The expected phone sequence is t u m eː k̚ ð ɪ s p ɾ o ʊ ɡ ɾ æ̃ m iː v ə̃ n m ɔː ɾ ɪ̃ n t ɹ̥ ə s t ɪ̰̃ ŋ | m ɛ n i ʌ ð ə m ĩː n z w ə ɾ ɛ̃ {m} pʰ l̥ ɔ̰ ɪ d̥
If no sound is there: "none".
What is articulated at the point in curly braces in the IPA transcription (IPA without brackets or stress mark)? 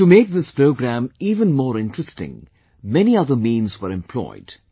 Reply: m